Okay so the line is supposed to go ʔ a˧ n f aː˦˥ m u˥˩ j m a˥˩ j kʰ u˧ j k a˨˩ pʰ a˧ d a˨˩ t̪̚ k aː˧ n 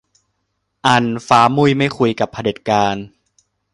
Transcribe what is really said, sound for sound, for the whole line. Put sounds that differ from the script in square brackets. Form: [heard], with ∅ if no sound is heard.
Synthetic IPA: ʔ a˧ n f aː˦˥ m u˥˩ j m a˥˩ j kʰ u˧ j k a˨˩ pʰ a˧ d [e˨˩] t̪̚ k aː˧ n